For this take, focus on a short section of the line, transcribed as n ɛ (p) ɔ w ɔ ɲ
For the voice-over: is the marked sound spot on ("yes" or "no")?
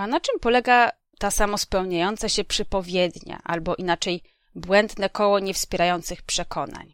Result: no